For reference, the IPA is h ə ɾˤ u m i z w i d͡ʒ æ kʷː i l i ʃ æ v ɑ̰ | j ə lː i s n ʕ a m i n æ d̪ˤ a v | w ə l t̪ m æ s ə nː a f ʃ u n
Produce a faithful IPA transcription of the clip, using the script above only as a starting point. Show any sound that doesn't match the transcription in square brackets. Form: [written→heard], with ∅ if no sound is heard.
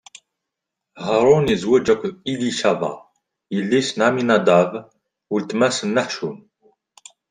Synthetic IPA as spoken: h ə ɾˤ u [m→n] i z w [i→æ] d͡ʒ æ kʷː i l i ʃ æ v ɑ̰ | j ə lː i s n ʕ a m i n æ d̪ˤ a v | w ə l t̪ m æ s ə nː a [f→ħ] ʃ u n